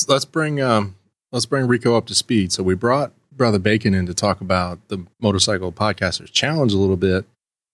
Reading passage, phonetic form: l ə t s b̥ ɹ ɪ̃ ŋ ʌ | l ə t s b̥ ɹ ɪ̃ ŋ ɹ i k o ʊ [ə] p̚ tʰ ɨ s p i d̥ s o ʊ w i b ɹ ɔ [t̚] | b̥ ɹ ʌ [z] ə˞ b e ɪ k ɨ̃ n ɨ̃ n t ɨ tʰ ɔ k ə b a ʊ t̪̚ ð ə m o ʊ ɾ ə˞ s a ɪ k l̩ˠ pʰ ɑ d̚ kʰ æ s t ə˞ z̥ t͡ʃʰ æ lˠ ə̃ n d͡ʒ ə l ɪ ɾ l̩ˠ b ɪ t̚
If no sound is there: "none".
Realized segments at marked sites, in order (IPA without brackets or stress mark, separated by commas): ʌ, t̚, ð